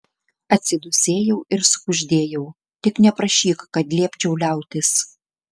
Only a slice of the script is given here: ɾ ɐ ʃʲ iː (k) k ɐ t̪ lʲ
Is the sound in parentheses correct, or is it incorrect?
correct